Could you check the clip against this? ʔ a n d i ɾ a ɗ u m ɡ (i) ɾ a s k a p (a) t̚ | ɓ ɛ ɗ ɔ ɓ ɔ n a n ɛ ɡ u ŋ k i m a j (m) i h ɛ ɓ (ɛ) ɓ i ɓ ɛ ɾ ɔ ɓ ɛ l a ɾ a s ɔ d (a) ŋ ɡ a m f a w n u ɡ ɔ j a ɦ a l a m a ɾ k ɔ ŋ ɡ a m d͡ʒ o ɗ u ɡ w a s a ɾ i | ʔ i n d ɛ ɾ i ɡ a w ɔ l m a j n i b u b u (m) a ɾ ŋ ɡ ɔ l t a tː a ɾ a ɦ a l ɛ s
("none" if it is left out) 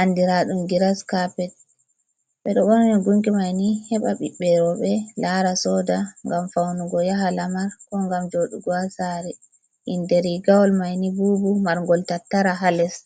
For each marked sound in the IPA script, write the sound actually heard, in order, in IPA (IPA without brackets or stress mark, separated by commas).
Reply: i, ɛ, n, a, a, m